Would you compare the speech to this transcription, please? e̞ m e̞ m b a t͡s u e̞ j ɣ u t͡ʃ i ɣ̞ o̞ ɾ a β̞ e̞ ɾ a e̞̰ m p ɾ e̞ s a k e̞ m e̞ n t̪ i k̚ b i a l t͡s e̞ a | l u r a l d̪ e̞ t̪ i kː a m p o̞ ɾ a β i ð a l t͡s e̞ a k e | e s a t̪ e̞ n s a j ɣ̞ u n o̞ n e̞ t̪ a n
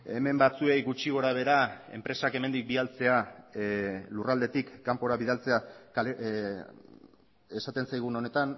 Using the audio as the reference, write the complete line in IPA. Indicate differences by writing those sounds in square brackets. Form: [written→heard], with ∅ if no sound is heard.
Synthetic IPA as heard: e̞ m e̞ m b a t͡s u e̞ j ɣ u t͡ʃ i ɣ̞ o̞ ɾ a β̞ e̞ ɾ a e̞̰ m p ɾ e̞ s a k e̞ m e̞ n [t̪→d̪] i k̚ b i a l t͡s e̞ a | l u r a l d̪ e̞ t̪ i kː a m p o̞ ɾ a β i ð a l t͡s e̞ a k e | e s a t̪ e̞ n s a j ɣ̞ u n o̞ n e̞ t̪ a n